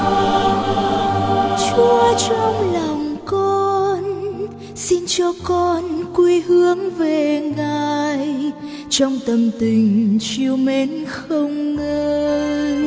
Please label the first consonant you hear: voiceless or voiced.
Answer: voiceless